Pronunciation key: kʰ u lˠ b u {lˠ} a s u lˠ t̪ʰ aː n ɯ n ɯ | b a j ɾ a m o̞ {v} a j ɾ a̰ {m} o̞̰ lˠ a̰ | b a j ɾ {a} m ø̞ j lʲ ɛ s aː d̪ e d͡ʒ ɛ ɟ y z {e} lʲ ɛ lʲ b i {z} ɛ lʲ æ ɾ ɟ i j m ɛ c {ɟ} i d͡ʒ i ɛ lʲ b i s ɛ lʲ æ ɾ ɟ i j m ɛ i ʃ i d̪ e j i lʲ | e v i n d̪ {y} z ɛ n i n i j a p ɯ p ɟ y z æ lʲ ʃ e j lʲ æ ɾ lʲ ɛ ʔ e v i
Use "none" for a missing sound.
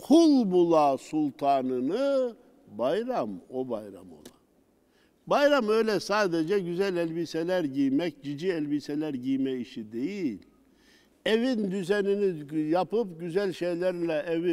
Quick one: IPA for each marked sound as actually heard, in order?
lˠ, b, m, a, æ, s, ɟ, y

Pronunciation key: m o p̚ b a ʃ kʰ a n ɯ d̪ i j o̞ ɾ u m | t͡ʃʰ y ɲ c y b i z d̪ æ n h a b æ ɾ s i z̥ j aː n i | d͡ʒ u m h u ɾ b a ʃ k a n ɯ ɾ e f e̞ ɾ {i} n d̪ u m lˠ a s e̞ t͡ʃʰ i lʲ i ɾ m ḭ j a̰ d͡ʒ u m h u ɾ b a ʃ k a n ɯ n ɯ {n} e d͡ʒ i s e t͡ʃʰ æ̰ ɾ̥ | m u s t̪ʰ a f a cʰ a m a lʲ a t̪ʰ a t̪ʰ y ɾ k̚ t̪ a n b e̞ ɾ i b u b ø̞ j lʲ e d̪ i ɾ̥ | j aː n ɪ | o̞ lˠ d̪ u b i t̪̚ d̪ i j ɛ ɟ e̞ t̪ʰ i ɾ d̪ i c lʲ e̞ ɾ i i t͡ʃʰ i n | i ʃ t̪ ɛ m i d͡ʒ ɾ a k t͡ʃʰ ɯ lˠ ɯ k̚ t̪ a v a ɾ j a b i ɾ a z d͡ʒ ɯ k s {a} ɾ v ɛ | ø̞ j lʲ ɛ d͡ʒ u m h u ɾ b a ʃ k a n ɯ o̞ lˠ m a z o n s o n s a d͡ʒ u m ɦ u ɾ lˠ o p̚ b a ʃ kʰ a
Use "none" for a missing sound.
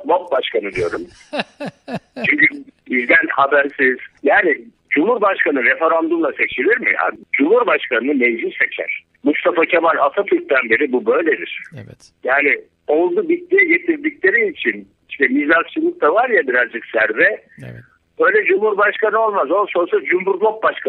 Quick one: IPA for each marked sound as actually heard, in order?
a, m, æ

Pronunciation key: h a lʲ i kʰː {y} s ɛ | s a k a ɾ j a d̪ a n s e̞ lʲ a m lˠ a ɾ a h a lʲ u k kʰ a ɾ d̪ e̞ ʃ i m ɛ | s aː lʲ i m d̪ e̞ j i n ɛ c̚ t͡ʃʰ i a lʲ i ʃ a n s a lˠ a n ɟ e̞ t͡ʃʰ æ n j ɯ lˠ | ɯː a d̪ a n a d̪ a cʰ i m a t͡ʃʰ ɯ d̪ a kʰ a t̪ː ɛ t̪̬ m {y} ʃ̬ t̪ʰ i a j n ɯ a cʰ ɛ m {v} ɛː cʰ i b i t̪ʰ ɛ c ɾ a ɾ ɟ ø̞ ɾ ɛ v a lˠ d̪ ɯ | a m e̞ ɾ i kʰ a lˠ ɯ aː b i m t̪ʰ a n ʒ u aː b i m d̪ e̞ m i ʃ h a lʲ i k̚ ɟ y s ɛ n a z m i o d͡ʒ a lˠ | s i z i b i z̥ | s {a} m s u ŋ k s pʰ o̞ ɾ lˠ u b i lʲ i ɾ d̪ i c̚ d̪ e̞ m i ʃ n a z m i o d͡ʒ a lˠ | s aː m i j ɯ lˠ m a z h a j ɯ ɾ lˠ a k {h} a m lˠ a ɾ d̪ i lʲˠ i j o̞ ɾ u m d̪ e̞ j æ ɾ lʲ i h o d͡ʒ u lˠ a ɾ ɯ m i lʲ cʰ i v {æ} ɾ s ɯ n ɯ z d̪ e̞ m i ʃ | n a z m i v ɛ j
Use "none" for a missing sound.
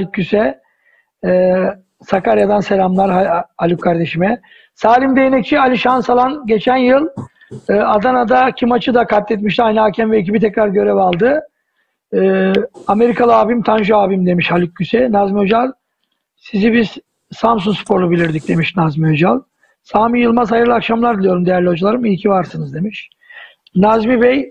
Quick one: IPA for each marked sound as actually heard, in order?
y, i, v, a, ʃ, a

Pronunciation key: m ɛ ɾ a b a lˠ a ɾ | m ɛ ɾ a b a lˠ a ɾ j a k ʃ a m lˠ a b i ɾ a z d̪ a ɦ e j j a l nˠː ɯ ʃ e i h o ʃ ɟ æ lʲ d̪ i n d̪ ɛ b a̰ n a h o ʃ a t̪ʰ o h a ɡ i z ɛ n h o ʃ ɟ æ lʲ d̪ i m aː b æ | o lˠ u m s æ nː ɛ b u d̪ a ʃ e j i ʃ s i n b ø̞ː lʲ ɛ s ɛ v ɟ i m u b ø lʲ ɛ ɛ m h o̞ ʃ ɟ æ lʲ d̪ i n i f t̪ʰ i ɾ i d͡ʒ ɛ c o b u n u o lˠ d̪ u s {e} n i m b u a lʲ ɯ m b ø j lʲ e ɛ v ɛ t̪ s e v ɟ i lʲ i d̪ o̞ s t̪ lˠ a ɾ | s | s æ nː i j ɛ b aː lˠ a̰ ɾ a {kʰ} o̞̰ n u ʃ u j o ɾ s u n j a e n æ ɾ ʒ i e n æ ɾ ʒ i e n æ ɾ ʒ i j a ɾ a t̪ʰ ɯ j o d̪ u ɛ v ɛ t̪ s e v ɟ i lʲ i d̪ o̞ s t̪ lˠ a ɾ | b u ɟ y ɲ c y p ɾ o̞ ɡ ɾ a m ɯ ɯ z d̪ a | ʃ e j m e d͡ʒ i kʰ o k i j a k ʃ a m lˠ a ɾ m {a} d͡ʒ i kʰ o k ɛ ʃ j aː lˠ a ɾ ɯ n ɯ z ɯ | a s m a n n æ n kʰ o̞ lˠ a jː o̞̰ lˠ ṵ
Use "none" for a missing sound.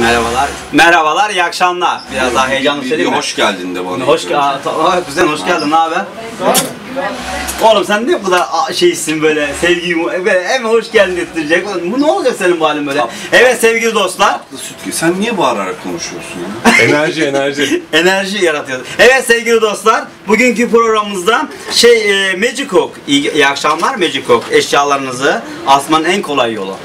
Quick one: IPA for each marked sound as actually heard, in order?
e, kʰ, e

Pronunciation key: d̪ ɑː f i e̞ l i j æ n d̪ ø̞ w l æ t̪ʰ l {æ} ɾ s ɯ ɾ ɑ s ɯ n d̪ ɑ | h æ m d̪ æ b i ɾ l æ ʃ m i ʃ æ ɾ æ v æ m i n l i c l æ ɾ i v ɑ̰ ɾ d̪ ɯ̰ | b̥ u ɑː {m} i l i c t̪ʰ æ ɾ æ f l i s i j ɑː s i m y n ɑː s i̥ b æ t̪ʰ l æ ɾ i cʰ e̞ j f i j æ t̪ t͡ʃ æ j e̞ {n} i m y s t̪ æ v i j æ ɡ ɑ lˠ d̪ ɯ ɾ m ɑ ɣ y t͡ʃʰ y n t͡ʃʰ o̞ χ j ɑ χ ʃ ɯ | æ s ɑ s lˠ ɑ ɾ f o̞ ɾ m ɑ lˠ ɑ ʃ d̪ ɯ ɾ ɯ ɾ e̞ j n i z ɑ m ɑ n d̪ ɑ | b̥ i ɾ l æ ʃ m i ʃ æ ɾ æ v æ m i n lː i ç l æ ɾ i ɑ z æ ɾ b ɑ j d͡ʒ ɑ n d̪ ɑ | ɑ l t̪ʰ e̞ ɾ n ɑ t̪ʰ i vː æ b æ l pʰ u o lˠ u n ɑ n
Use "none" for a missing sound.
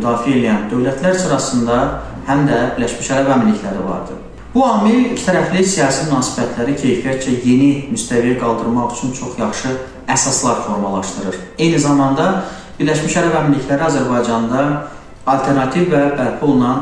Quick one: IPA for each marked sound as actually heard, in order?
æ, m, n

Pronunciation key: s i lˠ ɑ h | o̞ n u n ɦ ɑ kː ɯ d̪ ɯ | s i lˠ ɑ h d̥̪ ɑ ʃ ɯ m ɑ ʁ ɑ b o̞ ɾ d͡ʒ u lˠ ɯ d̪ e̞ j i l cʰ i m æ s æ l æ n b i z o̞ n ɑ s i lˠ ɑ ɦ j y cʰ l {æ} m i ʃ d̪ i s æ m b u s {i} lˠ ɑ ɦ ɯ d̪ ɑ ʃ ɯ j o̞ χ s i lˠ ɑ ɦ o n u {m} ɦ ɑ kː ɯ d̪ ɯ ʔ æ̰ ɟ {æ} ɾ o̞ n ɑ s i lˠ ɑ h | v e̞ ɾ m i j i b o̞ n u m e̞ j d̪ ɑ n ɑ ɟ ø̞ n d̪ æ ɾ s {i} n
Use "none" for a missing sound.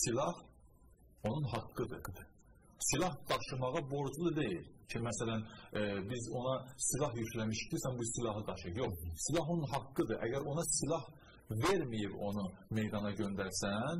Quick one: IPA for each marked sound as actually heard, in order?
æ, i, n, æ, æ

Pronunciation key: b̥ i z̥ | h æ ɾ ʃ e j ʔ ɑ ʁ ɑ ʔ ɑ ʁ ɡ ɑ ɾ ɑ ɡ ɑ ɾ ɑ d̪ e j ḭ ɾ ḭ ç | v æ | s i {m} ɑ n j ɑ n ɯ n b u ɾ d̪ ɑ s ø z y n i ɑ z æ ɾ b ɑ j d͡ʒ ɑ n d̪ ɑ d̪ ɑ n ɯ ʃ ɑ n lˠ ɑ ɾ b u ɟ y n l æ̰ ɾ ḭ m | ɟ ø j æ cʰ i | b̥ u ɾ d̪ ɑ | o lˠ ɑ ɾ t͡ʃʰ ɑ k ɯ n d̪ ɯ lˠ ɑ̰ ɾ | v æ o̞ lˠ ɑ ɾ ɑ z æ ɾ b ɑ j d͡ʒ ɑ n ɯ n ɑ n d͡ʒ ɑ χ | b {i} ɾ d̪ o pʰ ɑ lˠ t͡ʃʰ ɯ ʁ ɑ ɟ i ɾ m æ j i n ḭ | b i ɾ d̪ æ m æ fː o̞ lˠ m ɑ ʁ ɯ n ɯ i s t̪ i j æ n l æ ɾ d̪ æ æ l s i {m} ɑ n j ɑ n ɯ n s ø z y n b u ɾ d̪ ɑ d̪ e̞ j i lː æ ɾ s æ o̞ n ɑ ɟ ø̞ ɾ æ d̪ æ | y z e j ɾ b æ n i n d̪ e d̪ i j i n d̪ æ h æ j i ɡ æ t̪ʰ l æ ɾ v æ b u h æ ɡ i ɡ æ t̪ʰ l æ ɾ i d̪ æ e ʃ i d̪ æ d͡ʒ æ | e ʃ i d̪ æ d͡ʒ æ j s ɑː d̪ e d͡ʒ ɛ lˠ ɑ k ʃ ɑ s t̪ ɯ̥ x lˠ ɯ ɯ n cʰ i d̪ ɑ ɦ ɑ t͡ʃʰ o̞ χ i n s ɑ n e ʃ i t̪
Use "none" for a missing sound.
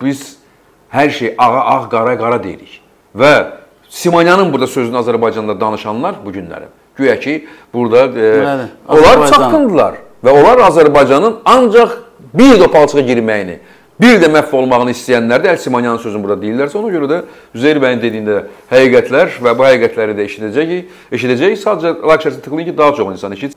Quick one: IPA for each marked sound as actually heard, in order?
m, i, m

